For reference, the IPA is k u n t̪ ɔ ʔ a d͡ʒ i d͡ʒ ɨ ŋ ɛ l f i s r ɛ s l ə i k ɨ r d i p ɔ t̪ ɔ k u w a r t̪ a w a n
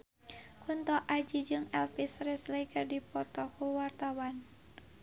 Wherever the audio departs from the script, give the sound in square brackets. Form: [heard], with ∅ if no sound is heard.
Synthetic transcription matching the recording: k u n t̪ ɔ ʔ a d͡ʒ i d͡ʒ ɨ ŋ ɛ l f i s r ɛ s l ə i k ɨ r d i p ɔ t̪ ɔ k u w a r t̪ a w a n